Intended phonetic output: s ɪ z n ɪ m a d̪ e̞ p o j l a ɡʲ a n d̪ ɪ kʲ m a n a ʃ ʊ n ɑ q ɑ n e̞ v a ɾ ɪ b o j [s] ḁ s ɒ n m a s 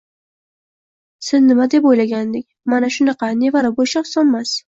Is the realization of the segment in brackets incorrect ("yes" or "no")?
yes